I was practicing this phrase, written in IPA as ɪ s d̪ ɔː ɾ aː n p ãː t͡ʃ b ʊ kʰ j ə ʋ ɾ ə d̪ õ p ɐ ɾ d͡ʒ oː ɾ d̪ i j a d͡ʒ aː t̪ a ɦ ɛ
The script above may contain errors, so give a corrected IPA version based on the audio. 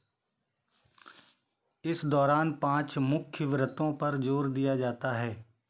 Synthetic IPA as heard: ɪ s d̪ ɔː ɾ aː n p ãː t͡ʃ m ʊ kʰ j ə ʋ ɾ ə t̪ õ p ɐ ɾ d͡ʒ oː ɾ d̪ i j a d͡ʒ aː t̪ a ɦ ɛː